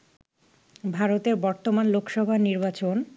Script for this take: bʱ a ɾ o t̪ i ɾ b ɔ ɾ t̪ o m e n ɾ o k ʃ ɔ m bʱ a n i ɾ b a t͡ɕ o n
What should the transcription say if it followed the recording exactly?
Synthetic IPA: bʱ a ɾ o t̪ e ɾ b ɔ ɾ t̪ o m a n l o k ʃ ɔ bʱ a n i ɾ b a t͡ɕ o n